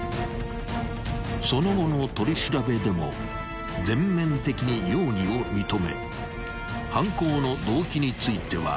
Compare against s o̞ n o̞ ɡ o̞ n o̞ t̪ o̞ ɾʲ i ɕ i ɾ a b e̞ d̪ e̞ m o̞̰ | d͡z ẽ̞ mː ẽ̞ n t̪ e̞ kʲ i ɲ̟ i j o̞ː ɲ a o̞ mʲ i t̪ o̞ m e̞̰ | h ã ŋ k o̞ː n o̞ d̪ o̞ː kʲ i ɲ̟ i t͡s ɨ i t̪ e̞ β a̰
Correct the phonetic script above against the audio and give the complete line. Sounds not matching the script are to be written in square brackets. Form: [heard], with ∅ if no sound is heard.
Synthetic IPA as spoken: s o̞ n o̞ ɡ o̞ n o̞ t̪ o̞ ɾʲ i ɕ i ɾ a b e̞ d̪ e̞ m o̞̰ | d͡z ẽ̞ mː ẽ̞ n t̪ e̞ kʲ i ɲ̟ i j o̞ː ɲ [i] o̞ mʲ i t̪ o̞ m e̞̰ | h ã ŋ k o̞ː n o̞ d̪ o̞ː kʲ i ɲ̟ i t͡s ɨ i t̪ e̞ β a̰